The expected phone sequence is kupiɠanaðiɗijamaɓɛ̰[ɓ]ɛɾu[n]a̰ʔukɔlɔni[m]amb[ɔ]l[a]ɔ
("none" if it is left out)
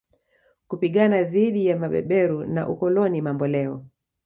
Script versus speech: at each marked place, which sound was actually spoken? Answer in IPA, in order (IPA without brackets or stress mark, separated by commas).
ɓ, n, m, ɔ, ɛ